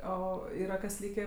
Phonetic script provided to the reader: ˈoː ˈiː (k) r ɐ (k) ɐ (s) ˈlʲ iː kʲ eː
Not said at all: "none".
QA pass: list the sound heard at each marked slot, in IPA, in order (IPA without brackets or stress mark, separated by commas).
none, k, s